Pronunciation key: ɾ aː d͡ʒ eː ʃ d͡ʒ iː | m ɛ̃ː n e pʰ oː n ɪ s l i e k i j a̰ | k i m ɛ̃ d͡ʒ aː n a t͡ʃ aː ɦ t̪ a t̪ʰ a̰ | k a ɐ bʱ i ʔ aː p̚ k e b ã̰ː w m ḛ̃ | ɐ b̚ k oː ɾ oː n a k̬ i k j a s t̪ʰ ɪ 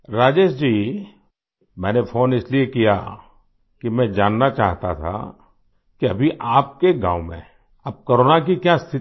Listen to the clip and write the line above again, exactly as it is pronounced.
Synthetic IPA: ɾ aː d͡ʒ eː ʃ d͡ʒ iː | m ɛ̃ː n e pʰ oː n ɪ s l i e k i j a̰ | k i m ɛ̃ d͡ʒ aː nː a t͡ʃ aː ɦ t̪ a t̪ʰ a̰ | k i ɐ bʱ i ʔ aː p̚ k e ɡ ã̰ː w m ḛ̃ | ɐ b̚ k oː ɾ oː n a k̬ i k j a s t̪ʰ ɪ